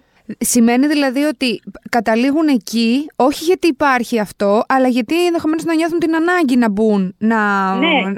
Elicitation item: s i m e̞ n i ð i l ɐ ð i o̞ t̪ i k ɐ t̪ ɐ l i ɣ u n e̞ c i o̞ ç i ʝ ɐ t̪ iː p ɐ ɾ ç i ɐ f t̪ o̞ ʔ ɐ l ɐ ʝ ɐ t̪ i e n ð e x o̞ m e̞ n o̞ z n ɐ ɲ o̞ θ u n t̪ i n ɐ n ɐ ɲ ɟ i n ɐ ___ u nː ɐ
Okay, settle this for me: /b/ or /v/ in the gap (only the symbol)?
b